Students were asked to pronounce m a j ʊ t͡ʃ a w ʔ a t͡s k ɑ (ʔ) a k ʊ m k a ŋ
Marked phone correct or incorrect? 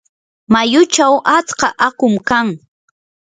correct